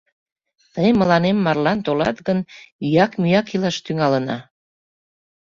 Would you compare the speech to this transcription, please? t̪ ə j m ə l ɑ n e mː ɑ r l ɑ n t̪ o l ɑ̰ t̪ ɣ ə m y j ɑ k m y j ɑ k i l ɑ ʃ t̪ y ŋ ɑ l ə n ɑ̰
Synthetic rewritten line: t̪ ə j m ə l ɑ n e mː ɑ r l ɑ n t̪ o l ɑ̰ t̪ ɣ ə n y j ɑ k m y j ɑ k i l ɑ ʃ t̪ y ŋ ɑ l ə n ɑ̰